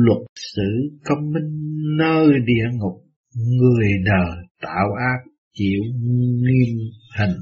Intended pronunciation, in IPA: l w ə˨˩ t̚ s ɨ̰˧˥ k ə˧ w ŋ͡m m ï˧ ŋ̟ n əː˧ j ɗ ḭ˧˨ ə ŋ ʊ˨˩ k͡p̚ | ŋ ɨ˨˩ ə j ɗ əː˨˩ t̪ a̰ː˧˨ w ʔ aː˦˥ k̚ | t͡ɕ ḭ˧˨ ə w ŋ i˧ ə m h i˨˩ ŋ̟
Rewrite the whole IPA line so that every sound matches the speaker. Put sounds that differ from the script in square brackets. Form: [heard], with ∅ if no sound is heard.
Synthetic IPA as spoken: l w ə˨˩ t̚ s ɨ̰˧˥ k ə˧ w ŋ͡m m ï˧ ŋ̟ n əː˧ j ɗ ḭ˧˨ ə ŋ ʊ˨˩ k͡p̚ | ŋ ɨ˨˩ ə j ɗ əː˨˩ t̪ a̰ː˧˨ w ʔ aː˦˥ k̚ | t͡ɕ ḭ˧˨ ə w ŋ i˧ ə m h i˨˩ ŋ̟